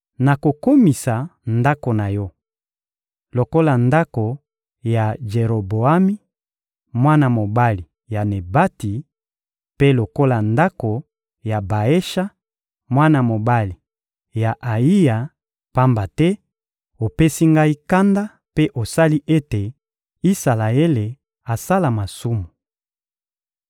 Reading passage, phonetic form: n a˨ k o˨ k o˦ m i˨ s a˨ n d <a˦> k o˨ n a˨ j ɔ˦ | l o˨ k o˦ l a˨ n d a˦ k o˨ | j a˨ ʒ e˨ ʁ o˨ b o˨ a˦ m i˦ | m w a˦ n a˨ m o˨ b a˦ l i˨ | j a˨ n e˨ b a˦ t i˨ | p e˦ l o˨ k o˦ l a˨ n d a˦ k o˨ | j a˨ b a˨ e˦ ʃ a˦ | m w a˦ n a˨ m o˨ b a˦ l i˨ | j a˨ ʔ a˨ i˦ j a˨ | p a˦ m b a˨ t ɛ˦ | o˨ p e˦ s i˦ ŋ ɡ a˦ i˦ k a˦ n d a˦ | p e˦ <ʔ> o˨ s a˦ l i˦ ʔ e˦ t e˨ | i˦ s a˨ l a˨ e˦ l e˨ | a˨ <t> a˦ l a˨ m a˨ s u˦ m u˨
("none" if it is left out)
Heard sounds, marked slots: a˦, ʔ, s

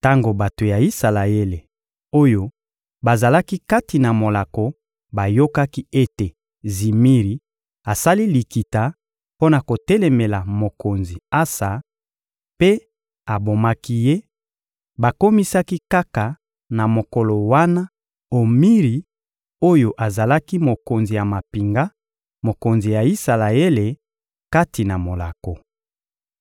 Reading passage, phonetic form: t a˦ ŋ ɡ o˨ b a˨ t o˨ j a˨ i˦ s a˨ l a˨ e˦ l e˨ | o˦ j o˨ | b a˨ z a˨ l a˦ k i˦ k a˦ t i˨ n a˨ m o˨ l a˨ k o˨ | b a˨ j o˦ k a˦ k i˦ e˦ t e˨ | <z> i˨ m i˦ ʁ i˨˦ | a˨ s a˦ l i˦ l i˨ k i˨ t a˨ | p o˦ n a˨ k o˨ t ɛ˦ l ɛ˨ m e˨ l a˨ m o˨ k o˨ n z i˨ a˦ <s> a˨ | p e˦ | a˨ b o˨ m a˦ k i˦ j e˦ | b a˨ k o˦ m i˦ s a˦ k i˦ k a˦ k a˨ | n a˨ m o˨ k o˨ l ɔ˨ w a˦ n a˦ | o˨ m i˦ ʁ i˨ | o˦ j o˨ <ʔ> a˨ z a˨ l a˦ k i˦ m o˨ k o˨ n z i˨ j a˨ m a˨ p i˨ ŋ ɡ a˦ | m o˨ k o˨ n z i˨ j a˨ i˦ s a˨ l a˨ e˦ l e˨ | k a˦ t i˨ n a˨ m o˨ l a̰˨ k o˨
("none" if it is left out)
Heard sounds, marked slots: z, s, ʔ

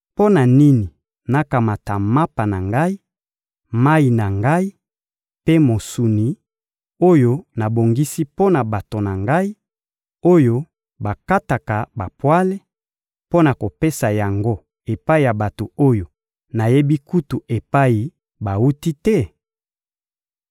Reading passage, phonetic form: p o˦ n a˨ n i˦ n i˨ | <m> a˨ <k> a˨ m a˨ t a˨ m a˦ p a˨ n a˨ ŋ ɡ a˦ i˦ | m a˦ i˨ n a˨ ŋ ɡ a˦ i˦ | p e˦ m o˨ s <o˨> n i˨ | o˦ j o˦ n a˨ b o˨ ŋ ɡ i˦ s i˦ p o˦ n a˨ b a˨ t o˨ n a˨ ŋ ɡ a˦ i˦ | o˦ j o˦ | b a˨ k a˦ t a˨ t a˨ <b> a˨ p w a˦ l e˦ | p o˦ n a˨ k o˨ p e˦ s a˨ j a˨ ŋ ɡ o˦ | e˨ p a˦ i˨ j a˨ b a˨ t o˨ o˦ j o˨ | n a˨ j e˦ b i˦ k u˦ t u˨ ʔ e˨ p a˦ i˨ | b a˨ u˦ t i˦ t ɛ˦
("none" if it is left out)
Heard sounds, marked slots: n, k, u˨, b

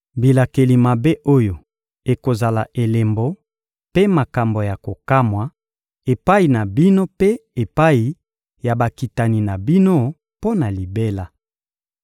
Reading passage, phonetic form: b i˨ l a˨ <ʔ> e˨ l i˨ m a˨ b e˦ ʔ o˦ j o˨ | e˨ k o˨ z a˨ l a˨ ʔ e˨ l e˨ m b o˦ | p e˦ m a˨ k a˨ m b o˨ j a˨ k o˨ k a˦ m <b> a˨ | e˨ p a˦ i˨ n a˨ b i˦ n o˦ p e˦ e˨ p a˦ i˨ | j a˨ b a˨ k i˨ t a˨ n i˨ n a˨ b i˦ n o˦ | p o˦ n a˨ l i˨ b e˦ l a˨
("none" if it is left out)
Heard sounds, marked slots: k, w

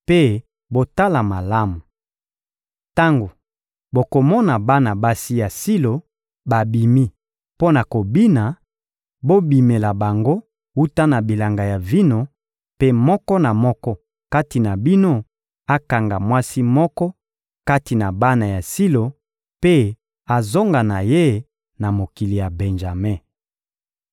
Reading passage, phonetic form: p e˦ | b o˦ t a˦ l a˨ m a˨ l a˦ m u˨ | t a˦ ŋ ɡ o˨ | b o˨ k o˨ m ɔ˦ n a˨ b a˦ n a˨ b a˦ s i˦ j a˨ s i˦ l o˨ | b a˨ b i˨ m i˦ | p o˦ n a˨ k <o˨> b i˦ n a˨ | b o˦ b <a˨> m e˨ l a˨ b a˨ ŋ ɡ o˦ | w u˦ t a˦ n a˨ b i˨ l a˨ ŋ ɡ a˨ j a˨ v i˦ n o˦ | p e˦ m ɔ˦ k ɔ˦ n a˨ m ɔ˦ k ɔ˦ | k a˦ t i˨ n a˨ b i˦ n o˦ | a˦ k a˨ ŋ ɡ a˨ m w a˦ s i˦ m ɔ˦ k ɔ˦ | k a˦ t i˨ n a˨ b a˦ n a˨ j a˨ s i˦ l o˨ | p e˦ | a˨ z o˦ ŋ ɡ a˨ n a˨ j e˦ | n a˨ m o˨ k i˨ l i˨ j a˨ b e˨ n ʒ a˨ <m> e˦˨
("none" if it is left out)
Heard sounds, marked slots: o˨, i˨, m

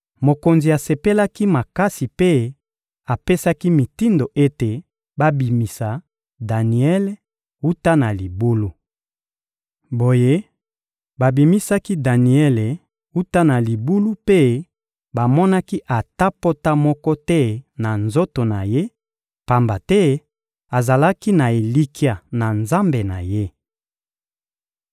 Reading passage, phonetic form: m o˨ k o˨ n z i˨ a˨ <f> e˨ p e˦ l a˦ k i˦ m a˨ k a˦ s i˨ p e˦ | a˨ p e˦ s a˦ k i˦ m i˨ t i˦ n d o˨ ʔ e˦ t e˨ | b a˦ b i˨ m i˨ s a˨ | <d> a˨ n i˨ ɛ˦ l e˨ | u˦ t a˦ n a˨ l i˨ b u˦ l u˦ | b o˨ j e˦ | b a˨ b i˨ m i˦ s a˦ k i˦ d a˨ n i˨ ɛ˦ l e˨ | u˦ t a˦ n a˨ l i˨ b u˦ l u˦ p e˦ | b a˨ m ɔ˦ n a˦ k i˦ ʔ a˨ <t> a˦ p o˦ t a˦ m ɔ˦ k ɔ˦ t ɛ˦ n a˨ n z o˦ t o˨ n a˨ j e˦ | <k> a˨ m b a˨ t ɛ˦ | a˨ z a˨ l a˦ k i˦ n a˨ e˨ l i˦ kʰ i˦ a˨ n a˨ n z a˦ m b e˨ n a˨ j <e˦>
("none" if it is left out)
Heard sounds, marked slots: s, d, t, p, e˦

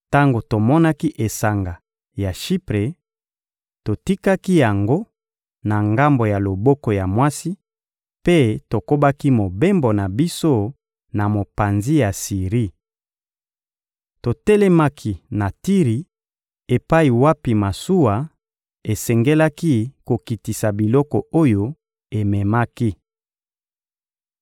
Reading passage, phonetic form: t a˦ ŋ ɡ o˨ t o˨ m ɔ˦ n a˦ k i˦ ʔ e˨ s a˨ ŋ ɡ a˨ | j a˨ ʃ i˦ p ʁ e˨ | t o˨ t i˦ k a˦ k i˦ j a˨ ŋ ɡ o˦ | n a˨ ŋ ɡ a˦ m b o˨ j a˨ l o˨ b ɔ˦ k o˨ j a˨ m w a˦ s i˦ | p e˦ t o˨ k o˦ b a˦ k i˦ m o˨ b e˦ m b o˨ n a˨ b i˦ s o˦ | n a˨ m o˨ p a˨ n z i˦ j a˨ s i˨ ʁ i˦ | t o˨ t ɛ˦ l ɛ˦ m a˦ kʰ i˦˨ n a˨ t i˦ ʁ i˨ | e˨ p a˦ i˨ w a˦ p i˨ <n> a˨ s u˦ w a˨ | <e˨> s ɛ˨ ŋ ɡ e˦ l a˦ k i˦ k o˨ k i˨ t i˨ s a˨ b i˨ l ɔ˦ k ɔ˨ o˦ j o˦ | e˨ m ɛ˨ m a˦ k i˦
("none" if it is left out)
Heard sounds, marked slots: m, e˨

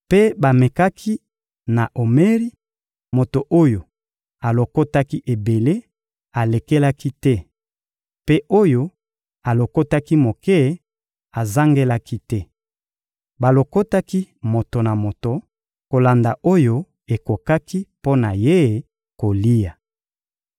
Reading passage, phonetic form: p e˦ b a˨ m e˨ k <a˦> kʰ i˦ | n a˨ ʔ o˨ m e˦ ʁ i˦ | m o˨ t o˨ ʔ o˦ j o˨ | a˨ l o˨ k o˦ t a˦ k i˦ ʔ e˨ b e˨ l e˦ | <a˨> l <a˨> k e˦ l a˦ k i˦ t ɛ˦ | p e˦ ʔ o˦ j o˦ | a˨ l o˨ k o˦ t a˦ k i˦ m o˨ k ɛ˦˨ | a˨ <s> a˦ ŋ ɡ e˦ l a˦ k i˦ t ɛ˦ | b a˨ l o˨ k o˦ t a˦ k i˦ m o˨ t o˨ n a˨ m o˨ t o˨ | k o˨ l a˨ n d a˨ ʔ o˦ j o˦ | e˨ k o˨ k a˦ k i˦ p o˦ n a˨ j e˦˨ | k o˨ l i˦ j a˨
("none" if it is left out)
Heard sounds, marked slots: a˦, a˨, e˨, z

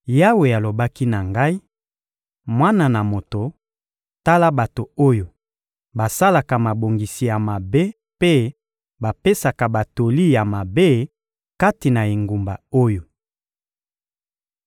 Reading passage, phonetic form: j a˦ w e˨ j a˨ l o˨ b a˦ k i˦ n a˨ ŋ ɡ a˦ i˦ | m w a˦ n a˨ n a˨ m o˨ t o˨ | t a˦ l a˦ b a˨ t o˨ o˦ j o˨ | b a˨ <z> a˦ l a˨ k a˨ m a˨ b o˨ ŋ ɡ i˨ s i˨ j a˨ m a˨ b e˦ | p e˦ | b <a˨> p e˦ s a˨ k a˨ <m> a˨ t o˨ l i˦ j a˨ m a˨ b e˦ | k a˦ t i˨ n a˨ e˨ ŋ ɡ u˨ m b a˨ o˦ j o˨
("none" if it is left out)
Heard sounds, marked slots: s, a˨, b

